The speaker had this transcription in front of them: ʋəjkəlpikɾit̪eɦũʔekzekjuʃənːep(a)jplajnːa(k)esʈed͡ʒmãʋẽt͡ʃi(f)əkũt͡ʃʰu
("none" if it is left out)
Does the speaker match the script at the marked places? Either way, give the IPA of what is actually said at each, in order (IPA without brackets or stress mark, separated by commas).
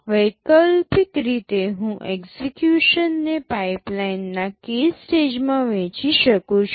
a, k, ʃ